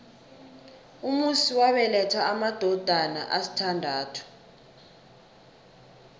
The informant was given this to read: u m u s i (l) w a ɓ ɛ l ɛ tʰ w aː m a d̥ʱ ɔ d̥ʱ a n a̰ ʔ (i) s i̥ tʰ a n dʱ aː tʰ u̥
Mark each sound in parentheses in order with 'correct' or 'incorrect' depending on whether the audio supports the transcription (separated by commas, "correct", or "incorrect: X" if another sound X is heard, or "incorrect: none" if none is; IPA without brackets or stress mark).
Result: incorrect: none, incorrect: a